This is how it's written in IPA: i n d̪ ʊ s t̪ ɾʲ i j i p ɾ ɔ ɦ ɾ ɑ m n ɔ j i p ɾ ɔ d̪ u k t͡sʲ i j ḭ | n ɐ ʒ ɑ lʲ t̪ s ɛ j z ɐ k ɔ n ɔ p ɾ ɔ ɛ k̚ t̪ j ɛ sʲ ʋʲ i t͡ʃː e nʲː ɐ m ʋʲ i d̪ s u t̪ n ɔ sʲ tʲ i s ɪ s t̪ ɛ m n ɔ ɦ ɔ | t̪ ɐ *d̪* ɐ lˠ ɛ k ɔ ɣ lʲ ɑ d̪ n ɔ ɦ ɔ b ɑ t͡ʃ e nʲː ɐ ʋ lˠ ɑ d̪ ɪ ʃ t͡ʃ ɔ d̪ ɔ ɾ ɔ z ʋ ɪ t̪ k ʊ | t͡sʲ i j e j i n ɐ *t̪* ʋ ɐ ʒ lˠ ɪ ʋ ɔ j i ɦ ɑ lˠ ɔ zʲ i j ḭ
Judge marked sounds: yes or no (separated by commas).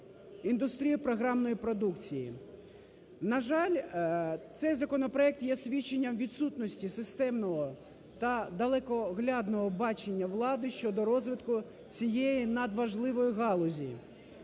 yes, no